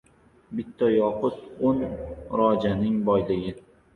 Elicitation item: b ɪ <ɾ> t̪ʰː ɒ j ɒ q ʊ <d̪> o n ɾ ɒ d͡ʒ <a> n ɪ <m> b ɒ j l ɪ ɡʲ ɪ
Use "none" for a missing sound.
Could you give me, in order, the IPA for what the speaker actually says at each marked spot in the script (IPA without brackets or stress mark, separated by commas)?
none, t̪, a, ŋ